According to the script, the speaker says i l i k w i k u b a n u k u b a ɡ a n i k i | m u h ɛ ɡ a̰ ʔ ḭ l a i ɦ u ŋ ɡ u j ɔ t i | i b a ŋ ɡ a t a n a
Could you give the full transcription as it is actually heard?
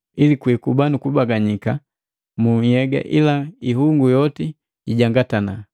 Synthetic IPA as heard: i l i k w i k u b a n u k u b a ɡ a ɲ i k a | m u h ɛ ɡ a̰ ʔ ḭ l a i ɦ u ŋ ɡ u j ɔ t i | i ɟ a ŋ ɡ a t a n a